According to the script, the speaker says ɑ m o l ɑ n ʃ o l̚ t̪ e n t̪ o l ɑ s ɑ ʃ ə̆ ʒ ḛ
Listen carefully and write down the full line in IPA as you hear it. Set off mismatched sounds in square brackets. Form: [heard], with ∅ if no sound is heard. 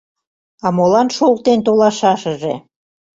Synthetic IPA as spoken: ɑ m o l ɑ n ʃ o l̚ t̪ e n t̪ o l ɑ [ʃ] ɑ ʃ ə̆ ʒ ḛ